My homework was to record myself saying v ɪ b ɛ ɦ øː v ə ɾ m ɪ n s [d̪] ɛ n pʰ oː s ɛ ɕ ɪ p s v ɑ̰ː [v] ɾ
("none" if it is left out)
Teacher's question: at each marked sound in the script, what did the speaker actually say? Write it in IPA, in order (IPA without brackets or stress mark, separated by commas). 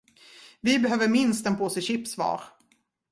t̪, none